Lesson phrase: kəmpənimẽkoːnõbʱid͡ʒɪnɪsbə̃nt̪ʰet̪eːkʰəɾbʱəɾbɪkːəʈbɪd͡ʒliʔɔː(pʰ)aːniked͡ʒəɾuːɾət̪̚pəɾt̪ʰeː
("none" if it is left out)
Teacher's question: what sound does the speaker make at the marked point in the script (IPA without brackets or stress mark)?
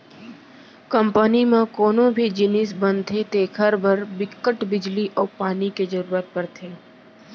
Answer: p